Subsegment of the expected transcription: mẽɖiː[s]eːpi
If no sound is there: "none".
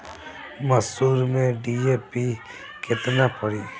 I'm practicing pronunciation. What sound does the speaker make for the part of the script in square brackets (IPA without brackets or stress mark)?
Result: none